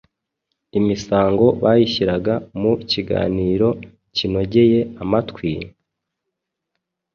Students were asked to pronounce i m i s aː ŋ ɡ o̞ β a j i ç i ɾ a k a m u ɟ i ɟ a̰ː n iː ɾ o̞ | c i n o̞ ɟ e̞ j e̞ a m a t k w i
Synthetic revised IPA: i m i s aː ŋ ɡ o̞ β a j i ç i ɾ a ɡ a m u c i ɡ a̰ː n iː ɾ o̞ | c i n o̞ ɟ e̞ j e̞ a m a t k w i

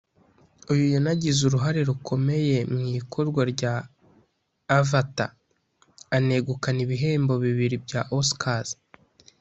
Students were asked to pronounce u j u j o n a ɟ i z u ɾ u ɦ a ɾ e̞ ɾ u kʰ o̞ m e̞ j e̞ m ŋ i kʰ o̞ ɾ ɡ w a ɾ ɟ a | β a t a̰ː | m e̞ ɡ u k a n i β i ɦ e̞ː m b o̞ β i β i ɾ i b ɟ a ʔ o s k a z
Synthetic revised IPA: u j u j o n a ɟ i z u ɾ u ɦ a ɾ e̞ ɾ u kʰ o̞ m e̞ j e̞ m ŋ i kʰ o̞ ɾ ɡ w a ɾ ɟ a | v a t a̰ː | n e̞ ɡ u k a n i β i ɦ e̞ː m b o̞ β i β i ɾ i b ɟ a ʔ o s k a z

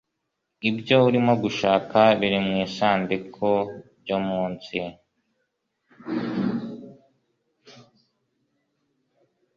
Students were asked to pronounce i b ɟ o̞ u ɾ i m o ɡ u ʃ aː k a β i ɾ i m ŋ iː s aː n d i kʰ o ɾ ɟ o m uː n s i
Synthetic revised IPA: i b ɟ o̞ u ɾ i m o ɡ u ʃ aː k a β i ɾ i m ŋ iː s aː n d i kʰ o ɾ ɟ o m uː n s i

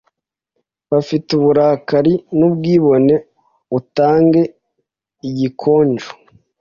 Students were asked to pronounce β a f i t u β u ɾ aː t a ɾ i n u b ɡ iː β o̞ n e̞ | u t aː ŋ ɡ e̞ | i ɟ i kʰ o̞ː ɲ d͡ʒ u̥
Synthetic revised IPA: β a f i t u β u ɾ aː k a ɾ i n u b ɡ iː β o̞ n e̞ | u t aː ŋ ɡ e̞ | i ɟ i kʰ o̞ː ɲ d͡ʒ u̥

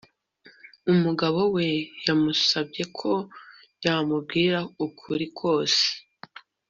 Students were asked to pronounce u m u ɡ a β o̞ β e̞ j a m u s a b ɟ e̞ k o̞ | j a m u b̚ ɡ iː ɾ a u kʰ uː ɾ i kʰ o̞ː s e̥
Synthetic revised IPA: u m u ɡ a β o̞ w e̞ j a m u s a b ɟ e̞ kʰ o̞ | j a m u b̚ ɡ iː ɾ a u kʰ u ɾ i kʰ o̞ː s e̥

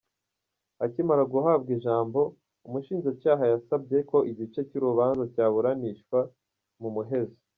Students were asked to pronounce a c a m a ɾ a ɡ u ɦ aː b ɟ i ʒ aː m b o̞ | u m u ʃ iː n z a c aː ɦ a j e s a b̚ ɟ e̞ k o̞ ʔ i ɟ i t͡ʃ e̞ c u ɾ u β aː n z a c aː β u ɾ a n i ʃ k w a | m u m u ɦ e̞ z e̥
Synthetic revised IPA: a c i m a ɾ a ɡ u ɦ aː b ɡ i ʒ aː m b o̞ | u m u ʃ iː n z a c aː ɦ a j a s a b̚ ɟ e̞ k o̞ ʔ i ɟ i t͡ʃ e̞ c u ɾ u β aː n z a c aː β u ɾ a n i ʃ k w a | m u m u ɦ e̞ z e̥

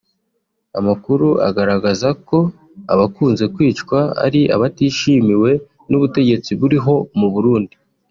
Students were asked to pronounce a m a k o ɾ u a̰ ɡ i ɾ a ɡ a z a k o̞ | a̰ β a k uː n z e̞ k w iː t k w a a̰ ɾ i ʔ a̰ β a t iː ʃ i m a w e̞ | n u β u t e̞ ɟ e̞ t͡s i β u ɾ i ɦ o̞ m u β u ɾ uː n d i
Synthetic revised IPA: a m a k u ɾ u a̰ ɡ a ɾ a ɡ a z a k o̞ | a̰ β a k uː n z e̞ k w iː t͡ʃ k w a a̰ ɾ i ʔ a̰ β a t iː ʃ i m i w e̞ | n u β u t e̞ ɟ e̞ t͡s i β u ɾ i ɦ o̞ m u β u ɾ uː n d i

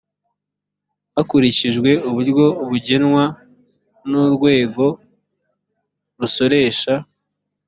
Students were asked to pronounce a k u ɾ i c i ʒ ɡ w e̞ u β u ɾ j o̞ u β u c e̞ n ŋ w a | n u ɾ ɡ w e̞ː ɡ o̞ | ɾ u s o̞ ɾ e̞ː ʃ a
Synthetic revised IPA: a k u ɾ i c i ʒ ɡ w e̞ u β u ɾ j o̞ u β u ɟ e̞ n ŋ w a | n u ɾ ɡ w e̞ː ɡ o̞ | ɾ u s o̞ ɾ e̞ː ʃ a

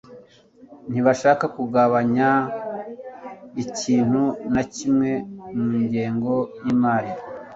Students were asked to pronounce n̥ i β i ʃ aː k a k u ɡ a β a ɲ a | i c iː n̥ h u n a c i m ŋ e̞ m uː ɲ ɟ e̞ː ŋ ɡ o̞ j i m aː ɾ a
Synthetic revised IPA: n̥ i β a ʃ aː k a k u ɡ a β a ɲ a | i c iː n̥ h u n a c i m ŋ e̞ m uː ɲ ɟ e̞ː ŋ ɡ o̞ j i m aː ɾ i

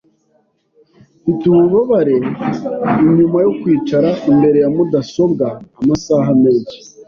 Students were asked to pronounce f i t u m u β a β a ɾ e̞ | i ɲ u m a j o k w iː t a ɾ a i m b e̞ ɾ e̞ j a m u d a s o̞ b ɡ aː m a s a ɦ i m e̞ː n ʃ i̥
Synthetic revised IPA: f i t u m u β a β a ɾ e̞ | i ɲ u m a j o k w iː t͡ʃ a ɾ a i m b e̞ ɾ e̞ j a m u d a s o̞ b ɡ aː m a s a ɦ a m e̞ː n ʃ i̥

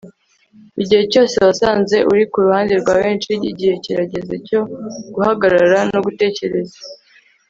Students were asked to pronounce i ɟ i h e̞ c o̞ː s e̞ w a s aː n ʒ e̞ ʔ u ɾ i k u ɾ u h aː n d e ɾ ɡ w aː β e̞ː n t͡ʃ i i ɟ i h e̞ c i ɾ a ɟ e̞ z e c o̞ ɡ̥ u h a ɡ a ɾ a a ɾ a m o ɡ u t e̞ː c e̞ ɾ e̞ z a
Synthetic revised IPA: i ɟ i h e̞ c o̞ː s e̞ β a s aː n z e̞ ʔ u ɾ i k u ɾ u h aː n d e ɾ ɡ w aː β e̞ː n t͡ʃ i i ɟ i h e̞ c i ɾ a ɟ e̞ z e c o̞ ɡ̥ u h a ɡ a ɾ a a ɾ a n o ɡ u t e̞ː c e̞ ɾ e̞ z a

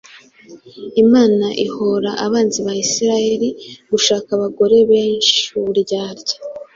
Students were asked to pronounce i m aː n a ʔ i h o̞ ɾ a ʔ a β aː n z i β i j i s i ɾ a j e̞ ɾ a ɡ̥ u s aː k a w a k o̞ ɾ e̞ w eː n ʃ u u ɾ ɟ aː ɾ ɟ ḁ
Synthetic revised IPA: i m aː n a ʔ i h o̞ ɾ a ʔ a β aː n z i β a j i s i ɾ a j e̞ ɾ i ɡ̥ u ʃ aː k a β a ɡ o̞ ɾ e̞ β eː n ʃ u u ɾ ɟ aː ɾ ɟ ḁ

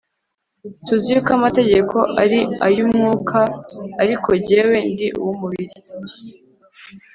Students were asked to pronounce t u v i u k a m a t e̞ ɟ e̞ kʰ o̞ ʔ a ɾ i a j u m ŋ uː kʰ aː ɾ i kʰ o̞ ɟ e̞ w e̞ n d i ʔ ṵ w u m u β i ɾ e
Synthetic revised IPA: t u z i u k a m a t e̞ ɟ e̞ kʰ o̞ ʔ a ɾ i a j u m ŋ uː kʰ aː ɾ i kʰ o̞ ɟ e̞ w e̞ n d i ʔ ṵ w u m u β i ɾ i

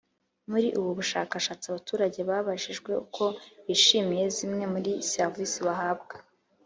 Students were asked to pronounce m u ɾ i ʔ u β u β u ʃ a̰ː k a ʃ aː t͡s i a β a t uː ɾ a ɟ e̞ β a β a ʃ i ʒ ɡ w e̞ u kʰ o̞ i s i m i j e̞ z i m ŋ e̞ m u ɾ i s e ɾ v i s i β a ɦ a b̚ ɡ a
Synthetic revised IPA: m u ɾ i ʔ u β u β u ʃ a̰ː k a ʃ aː t͡s i a β a t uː ɾ a ɟ e̞ β a β a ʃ i ʒ ɡ w e̞ u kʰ o̞ i ʃ i m i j e̞ z i m ŋ e̞ m u ɾ i s e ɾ v i s i β a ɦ a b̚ ɡ a

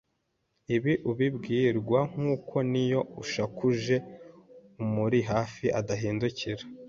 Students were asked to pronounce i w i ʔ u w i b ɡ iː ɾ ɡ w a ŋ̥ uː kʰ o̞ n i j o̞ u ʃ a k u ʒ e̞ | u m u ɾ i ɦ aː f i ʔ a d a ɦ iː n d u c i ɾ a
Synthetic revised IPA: i β i ʔ u β i b ɡ iː ɾ ɡ w a ŋ̥ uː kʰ o̞ n i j o̞ u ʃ a k u ʒ e̞ | u m u ɾ i ɦ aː f i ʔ a d a ɦ iː n d u c i ɾ a

